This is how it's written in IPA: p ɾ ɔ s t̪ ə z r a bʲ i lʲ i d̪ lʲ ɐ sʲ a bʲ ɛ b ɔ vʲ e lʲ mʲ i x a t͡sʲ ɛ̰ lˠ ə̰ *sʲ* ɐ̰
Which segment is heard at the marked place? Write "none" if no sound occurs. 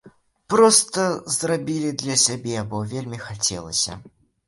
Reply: sʲ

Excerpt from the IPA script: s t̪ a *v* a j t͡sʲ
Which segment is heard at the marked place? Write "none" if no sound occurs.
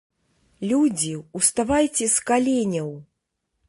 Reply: v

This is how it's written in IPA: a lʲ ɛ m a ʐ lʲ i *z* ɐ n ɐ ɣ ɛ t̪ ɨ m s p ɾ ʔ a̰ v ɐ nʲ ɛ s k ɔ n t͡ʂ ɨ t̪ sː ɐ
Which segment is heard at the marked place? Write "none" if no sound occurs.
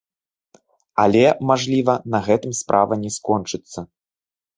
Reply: v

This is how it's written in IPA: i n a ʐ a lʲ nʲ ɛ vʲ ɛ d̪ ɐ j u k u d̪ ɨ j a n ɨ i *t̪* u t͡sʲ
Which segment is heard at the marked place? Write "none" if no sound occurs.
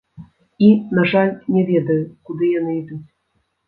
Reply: d̪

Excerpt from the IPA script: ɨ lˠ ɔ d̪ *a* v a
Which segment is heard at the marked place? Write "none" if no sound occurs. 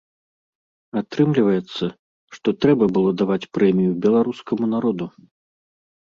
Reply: a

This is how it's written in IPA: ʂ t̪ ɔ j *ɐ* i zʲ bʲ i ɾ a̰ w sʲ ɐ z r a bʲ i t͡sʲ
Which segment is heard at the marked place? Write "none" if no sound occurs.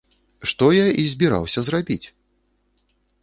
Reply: a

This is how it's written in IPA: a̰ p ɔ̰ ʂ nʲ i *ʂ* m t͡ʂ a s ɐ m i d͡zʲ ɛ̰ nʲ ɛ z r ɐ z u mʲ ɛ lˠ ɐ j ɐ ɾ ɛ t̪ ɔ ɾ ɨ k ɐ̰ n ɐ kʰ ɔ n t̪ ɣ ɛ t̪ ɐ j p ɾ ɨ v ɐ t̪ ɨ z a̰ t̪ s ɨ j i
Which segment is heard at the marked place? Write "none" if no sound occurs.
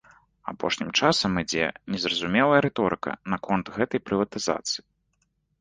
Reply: none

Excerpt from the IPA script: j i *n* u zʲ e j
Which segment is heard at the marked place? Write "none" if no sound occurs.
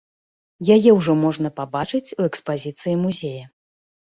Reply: m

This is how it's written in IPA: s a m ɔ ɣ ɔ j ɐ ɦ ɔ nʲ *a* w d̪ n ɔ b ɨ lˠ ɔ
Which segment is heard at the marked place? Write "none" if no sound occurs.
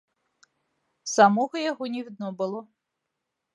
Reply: i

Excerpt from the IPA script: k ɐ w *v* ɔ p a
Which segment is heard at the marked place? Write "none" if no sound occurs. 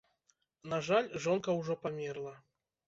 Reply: ʐ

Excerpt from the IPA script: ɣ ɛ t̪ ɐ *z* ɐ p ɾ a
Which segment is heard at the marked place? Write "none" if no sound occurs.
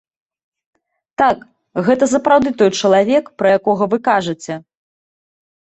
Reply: s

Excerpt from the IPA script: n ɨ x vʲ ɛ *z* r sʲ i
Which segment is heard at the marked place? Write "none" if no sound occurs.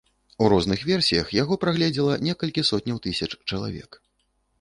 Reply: none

